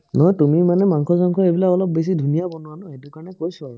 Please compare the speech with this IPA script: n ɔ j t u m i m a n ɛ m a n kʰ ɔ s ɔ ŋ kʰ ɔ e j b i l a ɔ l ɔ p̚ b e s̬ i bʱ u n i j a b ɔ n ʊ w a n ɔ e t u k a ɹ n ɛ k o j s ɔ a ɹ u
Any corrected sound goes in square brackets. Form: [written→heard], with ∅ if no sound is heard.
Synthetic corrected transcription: n ɔ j t u m i m a n ɛ m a [n→ŋ] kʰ ɔ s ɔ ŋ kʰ ɔ e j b i l a ɔ l ɔ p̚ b e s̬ i [bʱ→dʱ] u n i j a b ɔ n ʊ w a n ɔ e t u k a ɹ n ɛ k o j s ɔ a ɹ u